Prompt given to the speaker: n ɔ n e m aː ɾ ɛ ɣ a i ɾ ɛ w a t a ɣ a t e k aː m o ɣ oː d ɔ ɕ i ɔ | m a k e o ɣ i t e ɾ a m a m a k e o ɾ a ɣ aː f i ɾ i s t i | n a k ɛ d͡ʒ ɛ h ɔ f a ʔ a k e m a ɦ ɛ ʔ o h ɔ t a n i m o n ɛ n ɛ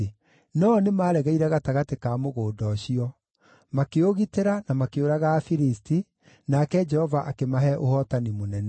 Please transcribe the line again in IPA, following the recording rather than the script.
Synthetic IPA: n ɔ n e m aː ɾ ɛ ɣ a i ɾ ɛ ɣ a t a ɣ a t e k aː m o ɣ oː d ɔ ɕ i ɔ | m a k e o ɣ i t e ɾ a n a m a k e o ɾ a ɣ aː f i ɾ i s t i | n a k ɛ d͡ʒ ɛ h ɔ v a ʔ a k e m a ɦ ɛ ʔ o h ɔ t a n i m o n ɛ n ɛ